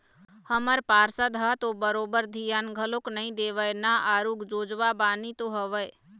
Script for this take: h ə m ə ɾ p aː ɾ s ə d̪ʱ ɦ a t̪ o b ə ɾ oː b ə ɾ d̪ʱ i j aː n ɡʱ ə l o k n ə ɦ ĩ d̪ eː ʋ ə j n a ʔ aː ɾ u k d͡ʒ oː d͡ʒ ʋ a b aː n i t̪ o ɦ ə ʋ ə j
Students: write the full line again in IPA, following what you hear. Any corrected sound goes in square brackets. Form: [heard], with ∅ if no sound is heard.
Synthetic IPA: h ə m ə ɾ p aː ɾ s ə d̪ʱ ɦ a t̪ o b ə ɾ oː b ə ɾ d̪ʱ i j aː n ɡʱ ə l o k n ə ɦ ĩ d̪ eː ʋ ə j n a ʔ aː ɾ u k d͡ʒ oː d͡ʒ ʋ a b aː n i t̪ o ɦ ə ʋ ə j